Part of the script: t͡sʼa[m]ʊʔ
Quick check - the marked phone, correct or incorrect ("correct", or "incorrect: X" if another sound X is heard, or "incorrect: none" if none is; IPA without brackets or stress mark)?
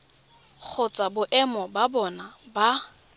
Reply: incorrect: b